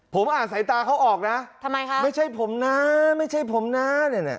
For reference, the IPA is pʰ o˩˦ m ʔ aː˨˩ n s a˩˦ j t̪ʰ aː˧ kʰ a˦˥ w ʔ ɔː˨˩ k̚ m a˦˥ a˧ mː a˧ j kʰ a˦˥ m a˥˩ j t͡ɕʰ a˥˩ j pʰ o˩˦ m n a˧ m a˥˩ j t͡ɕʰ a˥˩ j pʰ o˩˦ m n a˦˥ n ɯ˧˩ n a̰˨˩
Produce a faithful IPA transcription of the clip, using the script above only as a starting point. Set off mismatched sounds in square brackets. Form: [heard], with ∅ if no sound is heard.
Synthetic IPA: pʰ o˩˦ m ʔ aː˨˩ n s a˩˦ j [t̪] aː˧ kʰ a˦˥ w ʔ ɔː˨˩ k̚ [n] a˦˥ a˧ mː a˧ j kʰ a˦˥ m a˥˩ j t͡ɕʰ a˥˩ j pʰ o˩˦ m n [a˦˥] m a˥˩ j t͡ɕʰ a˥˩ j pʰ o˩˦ m n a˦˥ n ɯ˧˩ n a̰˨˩